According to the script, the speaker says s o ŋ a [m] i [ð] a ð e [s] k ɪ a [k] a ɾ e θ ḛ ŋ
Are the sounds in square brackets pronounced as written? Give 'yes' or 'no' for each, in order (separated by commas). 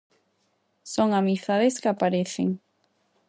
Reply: yes, no, yes, no